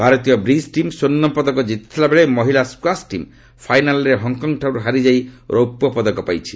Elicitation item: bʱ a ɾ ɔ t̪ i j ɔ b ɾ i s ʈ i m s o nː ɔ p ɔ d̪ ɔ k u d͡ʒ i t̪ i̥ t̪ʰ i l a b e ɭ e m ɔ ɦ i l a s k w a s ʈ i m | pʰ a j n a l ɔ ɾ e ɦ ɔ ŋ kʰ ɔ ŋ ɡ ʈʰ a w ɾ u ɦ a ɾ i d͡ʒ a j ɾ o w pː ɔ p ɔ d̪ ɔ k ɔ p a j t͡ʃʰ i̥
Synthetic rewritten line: bʱ a ɾ ɔ t̪ i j ɔ b ɾ i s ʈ i m s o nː ɔ p ɔ d̪ ɔ k ɔ d͡ʒ i t̪ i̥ t̪ʰ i l a b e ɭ e m ɔ ɦ i l a s k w a s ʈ i m | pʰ a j n a l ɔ ɾ e ɦ ɔ ŋ k ɔ ŋ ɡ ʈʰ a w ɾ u ɦ a ɾ i d͡ʒ a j ɾ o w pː ɔ p ɔ d̪ ɔ k ɔ p a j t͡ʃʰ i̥